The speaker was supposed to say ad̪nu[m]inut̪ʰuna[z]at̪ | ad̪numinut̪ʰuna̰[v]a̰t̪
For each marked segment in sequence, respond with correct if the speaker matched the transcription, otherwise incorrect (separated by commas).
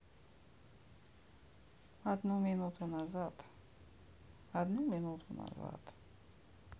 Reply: correct, correct, incorrect